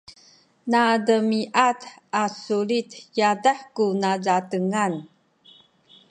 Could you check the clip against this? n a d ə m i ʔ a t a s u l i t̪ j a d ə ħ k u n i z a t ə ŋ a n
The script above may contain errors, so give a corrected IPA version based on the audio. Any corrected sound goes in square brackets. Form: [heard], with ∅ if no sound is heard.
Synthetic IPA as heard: n a d ə m i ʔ a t a s u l i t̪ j a d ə ħ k u n [a] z a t ə ŋ a n